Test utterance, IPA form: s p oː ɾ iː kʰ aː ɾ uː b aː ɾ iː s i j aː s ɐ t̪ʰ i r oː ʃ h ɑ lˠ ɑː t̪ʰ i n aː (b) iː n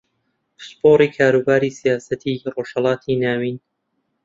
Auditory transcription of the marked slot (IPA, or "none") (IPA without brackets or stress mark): w